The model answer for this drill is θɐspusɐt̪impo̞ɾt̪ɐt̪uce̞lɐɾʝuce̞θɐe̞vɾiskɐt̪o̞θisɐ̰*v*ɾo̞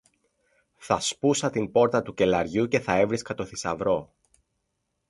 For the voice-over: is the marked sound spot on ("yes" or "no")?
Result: yes